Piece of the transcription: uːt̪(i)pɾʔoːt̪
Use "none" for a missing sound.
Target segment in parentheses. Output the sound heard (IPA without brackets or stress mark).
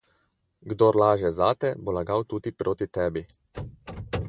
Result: i